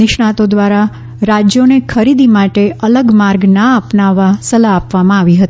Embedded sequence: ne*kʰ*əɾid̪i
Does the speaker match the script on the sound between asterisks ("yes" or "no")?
yes